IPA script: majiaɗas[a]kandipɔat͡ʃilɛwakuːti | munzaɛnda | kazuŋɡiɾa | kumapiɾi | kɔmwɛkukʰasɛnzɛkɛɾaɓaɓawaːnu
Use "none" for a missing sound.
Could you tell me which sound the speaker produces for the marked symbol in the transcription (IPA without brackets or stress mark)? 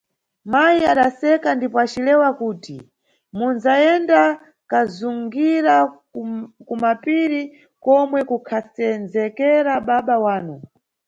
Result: ɛ